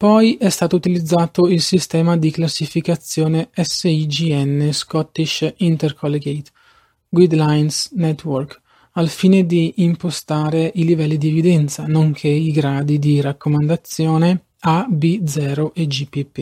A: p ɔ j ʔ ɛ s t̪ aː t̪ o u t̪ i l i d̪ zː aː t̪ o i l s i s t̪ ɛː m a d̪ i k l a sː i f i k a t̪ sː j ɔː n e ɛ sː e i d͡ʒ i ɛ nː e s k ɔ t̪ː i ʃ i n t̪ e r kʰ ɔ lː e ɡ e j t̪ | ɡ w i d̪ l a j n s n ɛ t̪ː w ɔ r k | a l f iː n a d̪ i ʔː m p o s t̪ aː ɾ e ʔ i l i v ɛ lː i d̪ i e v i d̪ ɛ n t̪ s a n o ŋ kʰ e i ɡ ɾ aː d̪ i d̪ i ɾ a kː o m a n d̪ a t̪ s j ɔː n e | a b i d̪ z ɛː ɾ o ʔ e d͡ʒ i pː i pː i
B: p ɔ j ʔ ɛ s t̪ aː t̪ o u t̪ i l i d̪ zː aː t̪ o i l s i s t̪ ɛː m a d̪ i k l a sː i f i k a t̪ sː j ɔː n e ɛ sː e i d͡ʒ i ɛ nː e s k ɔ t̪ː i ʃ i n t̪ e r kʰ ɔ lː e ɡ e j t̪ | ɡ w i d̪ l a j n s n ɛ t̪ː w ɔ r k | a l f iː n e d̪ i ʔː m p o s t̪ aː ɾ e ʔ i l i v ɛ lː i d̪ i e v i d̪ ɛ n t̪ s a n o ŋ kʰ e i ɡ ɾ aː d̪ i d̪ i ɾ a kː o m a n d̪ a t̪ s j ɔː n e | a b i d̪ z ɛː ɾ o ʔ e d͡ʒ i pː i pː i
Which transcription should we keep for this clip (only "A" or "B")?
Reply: B